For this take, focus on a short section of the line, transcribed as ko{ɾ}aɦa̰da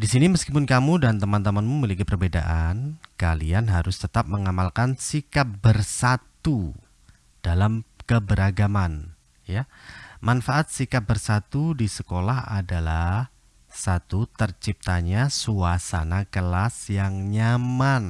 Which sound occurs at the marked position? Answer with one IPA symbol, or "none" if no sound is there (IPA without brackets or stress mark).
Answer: l